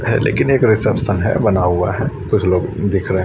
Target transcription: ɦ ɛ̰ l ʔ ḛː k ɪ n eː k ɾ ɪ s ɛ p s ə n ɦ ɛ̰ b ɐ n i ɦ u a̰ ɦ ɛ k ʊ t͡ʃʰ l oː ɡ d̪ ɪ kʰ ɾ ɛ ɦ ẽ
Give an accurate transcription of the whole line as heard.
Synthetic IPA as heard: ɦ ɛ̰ l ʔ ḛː k ɪ n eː k ɾ ɪ s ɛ p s ə n ɦ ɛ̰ b ɐ n a ɦ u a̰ ɦ ɛ k ʊ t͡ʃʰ l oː ɡ d̪ ɪ kʰ ɾ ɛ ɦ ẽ